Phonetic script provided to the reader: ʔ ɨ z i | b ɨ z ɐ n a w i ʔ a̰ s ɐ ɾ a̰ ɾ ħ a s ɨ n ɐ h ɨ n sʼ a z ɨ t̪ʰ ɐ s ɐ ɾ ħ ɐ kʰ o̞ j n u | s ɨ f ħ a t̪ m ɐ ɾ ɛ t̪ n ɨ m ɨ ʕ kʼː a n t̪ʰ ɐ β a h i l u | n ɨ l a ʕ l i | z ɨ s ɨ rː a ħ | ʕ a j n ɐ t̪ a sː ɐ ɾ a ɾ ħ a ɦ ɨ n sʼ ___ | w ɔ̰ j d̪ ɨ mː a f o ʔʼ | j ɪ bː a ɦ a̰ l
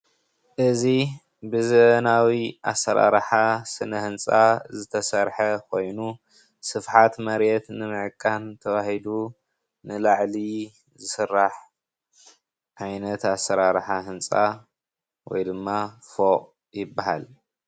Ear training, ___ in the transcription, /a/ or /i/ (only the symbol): a